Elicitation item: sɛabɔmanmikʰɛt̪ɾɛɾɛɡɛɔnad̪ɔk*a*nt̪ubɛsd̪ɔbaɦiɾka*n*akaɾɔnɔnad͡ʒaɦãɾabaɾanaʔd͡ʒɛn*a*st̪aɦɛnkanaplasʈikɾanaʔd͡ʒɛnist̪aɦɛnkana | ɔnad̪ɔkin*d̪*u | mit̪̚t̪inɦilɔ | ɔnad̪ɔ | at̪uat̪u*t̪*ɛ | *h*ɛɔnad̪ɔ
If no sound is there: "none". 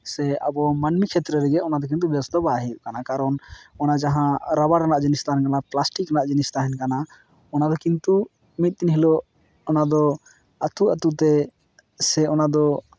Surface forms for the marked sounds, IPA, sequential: i, n, i, t̪, t̪, s

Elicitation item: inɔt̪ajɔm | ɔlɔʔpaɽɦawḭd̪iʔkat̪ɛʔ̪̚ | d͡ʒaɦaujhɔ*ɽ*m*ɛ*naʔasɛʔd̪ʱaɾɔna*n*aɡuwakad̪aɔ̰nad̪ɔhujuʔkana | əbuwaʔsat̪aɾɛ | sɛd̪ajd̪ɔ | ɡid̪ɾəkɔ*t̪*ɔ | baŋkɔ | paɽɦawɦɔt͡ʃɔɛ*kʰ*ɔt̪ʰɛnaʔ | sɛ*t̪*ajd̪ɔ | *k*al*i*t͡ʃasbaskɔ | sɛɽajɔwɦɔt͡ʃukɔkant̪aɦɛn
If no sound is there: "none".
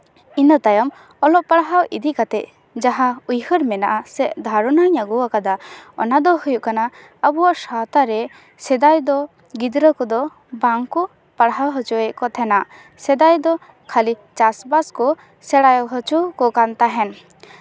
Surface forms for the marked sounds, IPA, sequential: ɾ, ɛ, ɲ, d̪, k, d̪, kʰ, i

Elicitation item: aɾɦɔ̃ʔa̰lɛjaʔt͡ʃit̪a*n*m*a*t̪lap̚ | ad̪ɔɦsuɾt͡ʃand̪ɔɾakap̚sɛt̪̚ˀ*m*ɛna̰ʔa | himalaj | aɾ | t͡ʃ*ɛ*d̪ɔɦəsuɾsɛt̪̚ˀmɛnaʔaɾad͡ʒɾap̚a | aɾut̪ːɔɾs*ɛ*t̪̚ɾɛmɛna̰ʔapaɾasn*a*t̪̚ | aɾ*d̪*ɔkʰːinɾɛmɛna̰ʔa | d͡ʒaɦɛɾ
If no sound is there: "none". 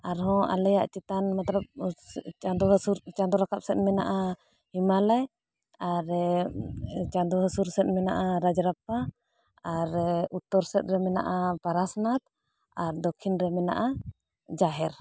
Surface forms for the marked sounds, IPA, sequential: n, a, m, a, ɛ, a, d̪

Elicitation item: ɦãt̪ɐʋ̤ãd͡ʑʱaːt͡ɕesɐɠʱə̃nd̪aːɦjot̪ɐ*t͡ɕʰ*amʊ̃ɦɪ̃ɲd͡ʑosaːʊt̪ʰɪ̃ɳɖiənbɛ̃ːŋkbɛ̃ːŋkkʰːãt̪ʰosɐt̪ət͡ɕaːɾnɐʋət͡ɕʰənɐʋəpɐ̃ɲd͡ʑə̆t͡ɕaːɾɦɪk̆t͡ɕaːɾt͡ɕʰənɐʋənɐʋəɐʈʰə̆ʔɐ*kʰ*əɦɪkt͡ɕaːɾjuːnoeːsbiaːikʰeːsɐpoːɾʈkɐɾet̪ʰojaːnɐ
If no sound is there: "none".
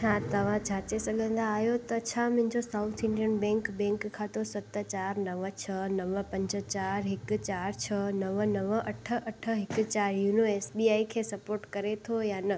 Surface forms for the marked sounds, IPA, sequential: t͡ɕʰ, ʈʰ

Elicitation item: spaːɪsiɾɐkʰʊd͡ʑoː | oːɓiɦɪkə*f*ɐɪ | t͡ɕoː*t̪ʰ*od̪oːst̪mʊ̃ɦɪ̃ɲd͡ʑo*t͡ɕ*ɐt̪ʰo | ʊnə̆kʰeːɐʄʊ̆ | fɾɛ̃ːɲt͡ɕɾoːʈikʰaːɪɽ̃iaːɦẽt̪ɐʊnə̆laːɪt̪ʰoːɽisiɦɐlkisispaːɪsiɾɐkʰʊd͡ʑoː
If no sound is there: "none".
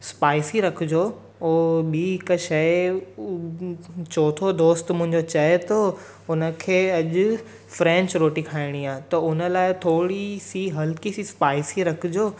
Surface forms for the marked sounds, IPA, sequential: ʃ, t̪ʰ, t͡ɕ

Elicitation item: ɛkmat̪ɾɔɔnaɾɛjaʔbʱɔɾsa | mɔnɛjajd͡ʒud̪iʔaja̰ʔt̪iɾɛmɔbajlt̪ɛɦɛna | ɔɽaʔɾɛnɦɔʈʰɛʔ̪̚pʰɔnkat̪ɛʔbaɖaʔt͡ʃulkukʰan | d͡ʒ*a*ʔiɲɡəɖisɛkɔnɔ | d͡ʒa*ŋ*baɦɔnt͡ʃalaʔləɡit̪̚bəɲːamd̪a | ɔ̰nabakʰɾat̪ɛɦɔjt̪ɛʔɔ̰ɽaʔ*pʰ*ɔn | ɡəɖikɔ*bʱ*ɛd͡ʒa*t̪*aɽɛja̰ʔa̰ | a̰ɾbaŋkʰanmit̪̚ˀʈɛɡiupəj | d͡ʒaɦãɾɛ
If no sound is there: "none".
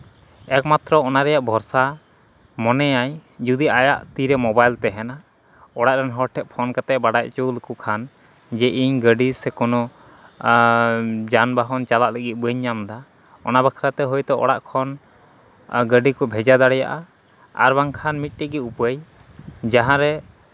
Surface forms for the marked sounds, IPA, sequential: ɛ, n, kʰ, bʱ, d̪

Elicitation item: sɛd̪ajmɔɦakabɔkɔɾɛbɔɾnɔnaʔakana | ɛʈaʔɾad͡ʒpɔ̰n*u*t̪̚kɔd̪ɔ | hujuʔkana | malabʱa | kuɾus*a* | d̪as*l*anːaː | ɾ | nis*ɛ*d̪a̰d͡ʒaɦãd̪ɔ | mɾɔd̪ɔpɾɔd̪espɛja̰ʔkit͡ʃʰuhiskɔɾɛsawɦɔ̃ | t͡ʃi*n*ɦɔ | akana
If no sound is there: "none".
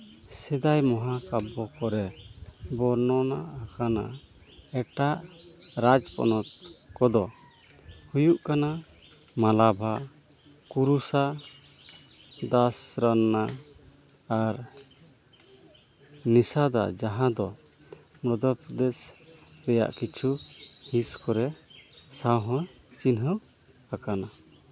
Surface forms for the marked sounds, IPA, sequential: ɔ, a, ɾ, a, n

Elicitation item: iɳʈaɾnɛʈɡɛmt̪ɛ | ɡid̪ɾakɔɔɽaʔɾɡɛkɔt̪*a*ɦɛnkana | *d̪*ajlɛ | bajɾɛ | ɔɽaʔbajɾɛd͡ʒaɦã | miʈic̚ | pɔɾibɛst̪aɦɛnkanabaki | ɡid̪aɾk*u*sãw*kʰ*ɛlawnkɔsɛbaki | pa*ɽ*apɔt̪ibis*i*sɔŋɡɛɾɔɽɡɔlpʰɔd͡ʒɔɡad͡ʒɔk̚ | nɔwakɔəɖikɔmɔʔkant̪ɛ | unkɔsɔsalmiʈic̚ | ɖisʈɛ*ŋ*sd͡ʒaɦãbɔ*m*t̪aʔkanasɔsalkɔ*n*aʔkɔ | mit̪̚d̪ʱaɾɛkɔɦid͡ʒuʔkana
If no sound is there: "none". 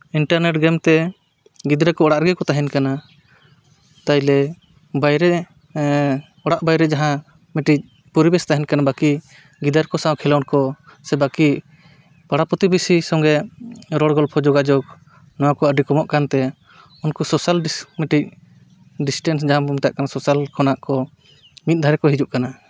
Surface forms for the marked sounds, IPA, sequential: a, t̪, ɔ, kʰ, ɽ, i, n, m, n

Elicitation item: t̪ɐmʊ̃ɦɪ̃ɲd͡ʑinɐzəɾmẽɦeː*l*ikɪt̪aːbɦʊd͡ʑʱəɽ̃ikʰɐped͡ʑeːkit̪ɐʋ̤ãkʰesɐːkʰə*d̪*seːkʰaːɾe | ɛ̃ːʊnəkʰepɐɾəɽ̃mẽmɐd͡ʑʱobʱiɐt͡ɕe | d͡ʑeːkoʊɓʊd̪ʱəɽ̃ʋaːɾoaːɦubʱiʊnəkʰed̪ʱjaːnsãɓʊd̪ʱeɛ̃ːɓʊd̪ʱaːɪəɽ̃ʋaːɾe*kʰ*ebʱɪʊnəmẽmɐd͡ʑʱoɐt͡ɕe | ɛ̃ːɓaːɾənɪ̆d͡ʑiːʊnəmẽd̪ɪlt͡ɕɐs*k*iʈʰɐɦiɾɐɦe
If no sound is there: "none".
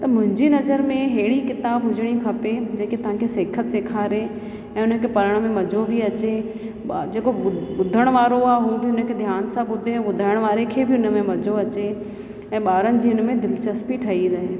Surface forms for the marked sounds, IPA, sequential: ɽ, t̪, kʰ, p

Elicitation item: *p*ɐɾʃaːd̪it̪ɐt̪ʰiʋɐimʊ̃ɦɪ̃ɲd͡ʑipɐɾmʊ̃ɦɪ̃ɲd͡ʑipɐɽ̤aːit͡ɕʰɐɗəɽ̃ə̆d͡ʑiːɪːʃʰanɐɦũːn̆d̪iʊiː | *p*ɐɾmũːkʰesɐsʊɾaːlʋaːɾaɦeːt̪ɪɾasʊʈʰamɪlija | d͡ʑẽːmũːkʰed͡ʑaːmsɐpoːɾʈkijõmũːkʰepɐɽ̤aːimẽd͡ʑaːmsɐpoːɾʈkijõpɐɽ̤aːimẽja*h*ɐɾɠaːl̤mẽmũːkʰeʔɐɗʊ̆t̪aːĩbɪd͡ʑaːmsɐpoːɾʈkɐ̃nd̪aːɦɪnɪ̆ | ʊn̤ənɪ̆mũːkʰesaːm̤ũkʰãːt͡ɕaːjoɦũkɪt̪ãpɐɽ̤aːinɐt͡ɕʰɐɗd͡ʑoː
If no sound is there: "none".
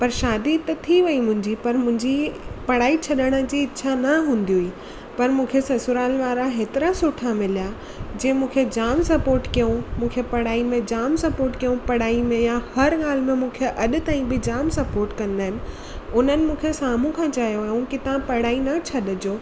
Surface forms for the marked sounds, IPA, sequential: p, p, h

